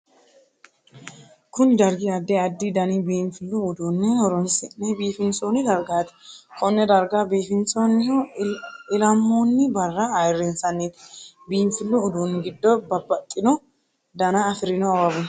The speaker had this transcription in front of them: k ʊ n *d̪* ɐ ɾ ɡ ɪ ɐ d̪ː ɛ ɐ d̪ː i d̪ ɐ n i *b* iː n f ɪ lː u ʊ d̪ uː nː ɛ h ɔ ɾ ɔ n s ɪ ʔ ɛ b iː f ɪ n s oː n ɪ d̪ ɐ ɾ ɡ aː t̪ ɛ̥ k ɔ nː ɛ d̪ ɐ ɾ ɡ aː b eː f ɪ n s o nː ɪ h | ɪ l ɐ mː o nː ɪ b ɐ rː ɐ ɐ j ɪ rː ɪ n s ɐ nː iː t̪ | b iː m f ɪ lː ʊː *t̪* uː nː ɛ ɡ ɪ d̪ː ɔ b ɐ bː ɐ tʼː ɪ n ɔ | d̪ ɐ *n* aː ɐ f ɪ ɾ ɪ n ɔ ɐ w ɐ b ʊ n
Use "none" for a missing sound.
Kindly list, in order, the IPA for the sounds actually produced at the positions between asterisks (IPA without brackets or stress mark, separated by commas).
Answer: d̪, b, d̪, n